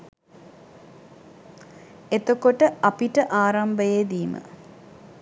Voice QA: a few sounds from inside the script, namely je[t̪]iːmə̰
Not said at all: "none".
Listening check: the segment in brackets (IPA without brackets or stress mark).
d̪